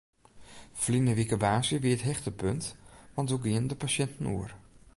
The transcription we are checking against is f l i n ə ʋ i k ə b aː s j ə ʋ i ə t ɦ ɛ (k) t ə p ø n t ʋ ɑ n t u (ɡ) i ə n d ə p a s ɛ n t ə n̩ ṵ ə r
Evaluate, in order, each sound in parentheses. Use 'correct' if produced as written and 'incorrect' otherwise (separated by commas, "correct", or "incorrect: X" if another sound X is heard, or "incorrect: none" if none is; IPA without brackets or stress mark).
incorrect: x, correct